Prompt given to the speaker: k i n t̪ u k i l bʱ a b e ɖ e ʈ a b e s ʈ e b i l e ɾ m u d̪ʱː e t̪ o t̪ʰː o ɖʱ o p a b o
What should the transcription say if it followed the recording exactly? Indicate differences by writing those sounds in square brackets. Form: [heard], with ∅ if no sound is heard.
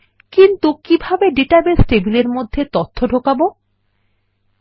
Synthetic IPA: k i n t̪ u k i [∅] bʱ a b e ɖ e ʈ a b e s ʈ e b i l e ɾ m [o] d̪ʱː e t̪ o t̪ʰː o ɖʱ o [k] a b o

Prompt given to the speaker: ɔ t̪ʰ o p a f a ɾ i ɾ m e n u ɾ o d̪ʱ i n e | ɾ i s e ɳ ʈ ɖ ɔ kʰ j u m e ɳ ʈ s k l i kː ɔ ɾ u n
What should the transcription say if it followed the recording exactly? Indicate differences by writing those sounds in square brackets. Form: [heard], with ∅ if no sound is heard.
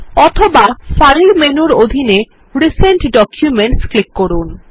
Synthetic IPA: ɔ t̪ʰ o [b] a f a ɾ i ɾ m e n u ɾ o d̪ʱ i n e | ɾ i s e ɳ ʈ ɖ ɔ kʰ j u m e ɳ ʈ s k l i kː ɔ ɾ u n

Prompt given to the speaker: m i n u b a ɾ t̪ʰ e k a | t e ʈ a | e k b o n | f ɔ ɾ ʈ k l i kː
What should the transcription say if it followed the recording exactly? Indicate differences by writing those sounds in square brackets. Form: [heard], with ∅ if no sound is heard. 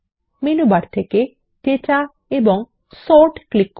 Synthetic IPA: m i n u b a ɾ t̪ʰ e k [e] | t e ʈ a | e [∅] b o [ŋ] | [s] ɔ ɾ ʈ k l i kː

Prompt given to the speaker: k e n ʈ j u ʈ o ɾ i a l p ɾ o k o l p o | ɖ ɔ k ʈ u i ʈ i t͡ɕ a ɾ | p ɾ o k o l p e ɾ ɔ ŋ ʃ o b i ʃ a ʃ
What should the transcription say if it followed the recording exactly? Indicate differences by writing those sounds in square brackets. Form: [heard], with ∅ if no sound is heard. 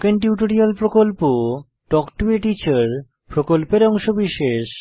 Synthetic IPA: k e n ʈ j u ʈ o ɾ i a l p ɾ o k o l p o | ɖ ɔ k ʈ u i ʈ i t͡ɕ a ɾ | p ɾ o k o l p e ɾ ɔ ŋ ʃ o b i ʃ [e] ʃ

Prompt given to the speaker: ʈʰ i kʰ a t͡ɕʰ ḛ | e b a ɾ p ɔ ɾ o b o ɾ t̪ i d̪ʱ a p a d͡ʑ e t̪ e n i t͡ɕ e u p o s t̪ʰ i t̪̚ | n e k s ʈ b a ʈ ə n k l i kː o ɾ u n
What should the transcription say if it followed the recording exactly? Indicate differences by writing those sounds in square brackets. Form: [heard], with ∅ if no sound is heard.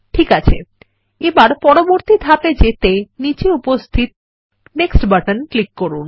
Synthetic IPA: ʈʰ i [k] a t͡ɕʰ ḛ | e b a ɾ p ɔ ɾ o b o ɾ t̪ i d̪ʱ a p [e] d͡ʑ e t̪ e n i t͡ɕ e u p o s t̪ʰ i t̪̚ | n e k s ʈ b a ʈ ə n k l i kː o ɾ u n

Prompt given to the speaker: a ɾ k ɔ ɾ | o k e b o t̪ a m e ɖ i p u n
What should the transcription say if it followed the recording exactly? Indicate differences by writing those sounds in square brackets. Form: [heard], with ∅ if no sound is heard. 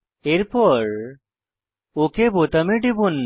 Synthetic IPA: [e] ɾ [p] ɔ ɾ | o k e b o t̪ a m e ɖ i [b] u n

